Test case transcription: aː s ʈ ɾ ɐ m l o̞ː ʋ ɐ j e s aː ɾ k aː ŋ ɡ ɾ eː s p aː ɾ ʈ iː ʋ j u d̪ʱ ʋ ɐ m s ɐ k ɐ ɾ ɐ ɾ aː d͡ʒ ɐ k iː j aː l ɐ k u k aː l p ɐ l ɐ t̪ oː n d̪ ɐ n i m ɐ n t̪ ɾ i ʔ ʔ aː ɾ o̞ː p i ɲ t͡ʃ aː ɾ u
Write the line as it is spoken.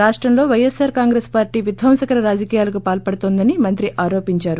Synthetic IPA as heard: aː ʂ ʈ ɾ ɐ m l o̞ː ʋ ɐ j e s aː ɾ k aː ŋ ɡ ɾ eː s p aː ɾ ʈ iː ʋ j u d̪ʱ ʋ ɐ m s ɐ k ɐ ɾ ɐ ɾ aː d͡ʒ ɐ k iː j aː l ɐ k u p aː l p ɐ ɽ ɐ t̪ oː n d̪ ɐ n i m ɐ n t̪ ɾ i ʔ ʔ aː ɾ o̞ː p i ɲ t͡ʃ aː ɾ u